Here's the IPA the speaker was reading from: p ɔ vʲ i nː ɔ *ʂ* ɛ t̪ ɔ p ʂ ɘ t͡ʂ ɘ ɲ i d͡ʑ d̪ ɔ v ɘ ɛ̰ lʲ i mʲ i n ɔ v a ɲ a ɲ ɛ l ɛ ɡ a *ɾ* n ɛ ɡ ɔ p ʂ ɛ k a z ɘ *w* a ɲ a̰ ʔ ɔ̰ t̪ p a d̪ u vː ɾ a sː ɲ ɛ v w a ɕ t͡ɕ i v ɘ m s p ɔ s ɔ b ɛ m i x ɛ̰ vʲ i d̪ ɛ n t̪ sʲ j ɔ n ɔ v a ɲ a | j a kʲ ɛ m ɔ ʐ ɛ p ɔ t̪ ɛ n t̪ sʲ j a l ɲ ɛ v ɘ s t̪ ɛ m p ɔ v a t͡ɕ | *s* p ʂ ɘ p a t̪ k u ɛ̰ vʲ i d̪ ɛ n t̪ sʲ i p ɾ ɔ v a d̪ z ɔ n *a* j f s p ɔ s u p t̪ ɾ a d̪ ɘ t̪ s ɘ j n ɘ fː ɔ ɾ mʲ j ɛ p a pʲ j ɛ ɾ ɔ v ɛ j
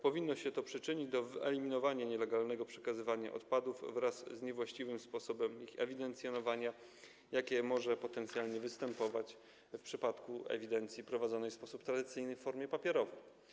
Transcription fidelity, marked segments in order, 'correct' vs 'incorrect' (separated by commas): incorrect, incorrect, incorrect, incorrect, incorrect